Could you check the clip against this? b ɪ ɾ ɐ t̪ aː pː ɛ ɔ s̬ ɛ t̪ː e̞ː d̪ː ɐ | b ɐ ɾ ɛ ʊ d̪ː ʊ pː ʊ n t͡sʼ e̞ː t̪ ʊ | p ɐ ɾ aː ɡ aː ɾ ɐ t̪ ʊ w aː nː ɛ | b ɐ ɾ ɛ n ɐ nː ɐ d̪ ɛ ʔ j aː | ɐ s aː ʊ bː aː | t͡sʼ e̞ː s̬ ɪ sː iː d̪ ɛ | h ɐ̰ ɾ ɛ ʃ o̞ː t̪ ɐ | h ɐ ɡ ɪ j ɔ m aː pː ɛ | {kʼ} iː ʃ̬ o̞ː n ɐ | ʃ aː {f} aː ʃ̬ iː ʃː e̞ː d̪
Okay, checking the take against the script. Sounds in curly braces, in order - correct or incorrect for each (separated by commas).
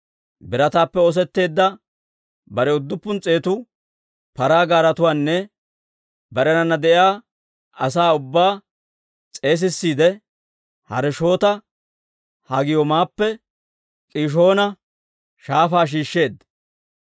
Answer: correct, correct